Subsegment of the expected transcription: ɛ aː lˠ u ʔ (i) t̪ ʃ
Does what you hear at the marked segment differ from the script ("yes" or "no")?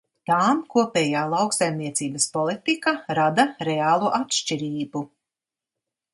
yes